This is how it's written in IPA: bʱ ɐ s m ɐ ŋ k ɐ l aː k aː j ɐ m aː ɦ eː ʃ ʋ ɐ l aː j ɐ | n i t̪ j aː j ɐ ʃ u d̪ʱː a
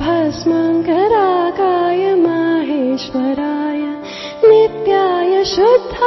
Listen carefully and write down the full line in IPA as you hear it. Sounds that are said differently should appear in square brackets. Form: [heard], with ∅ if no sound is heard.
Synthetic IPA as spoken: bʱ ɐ s m ɐ ŋ k ɐ [ɾ] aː k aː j ɐ m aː ɦ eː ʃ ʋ ɐ [ɾ] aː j ɐ | n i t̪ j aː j ɐ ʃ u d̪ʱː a